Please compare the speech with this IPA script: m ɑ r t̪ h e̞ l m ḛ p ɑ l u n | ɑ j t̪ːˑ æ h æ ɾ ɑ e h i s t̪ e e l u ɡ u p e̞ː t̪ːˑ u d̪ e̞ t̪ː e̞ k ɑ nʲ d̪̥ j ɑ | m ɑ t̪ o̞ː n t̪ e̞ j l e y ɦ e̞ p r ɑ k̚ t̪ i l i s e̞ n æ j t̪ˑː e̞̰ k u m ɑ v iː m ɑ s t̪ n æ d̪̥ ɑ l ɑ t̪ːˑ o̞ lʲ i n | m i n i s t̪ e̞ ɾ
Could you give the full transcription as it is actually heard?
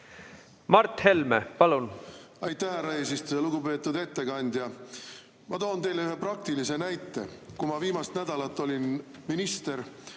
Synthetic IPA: m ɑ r t̪ h e̞ l m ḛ p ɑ l u n | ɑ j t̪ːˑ æ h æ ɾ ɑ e s i s t̪ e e l u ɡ u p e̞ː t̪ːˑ u d̪ e̞ t̪ː e̞ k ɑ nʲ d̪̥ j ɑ | m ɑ t̪ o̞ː n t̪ e̞ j l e y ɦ e̞ p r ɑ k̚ t̪ i l i s e̞ n æ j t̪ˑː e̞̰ k u m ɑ v iː m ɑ s t̪ n æ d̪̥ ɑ l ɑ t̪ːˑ o̞ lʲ i n | m i n i s t̪ e̞ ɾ